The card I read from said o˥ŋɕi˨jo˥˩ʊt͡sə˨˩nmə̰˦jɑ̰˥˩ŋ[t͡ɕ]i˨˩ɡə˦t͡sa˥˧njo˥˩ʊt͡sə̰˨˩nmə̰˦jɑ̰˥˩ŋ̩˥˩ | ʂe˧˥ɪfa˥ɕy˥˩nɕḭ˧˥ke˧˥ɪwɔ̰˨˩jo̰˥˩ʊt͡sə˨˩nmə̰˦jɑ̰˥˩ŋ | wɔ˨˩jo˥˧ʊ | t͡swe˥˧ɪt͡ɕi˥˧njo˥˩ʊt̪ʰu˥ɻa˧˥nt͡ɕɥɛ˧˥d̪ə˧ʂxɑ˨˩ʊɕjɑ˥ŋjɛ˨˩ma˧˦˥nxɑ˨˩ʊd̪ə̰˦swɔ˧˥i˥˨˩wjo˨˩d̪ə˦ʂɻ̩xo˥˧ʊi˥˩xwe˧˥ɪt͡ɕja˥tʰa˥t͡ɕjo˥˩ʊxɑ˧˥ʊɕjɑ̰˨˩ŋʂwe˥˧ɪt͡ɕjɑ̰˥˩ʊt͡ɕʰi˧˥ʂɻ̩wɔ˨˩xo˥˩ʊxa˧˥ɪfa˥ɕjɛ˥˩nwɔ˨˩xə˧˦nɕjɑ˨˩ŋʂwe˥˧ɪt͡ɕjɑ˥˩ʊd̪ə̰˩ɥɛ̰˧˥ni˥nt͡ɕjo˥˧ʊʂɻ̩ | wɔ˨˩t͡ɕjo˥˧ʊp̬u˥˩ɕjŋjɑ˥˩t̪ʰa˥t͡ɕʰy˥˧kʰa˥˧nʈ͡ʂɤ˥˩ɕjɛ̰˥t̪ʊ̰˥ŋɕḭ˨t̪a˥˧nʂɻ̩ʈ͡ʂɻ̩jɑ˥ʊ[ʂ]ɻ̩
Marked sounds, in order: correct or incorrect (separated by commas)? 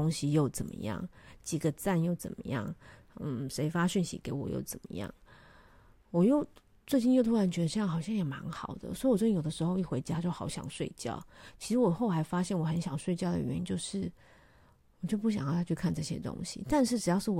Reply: correct, correct